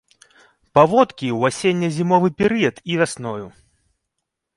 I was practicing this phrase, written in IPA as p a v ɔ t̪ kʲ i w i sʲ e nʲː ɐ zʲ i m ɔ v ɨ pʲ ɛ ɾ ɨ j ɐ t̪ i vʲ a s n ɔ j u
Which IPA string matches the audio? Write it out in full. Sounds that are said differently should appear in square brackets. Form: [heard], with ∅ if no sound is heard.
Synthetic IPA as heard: p a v ɔ t̪ kʲ i w [a] sʲ e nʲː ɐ zʲ i m ɔ v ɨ pʲ ɛ ɾ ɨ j ɐ t̪ i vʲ a s n ɔ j u